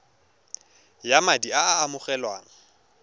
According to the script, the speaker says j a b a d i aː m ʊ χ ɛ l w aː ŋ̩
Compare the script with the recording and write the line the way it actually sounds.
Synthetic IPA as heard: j a m a d i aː m ʊ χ ɛ l w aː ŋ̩